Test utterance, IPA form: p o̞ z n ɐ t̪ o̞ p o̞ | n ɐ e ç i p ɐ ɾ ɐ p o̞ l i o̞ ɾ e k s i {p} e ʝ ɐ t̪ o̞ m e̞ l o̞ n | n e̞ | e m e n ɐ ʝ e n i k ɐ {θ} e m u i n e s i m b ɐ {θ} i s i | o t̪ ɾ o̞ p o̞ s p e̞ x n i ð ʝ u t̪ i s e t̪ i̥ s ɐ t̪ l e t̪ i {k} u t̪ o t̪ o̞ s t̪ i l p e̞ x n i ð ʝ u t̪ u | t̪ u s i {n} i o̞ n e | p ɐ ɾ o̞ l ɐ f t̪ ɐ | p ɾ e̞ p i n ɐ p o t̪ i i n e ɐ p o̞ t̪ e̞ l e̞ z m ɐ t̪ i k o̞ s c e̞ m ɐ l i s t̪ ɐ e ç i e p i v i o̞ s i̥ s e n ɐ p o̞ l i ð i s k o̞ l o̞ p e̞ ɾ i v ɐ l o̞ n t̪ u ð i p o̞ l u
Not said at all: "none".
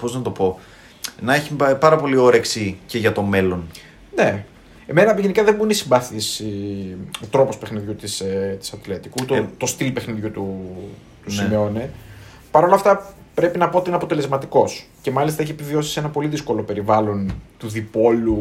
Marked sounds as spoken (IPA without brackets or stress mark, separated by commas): c, ð, θ, k, m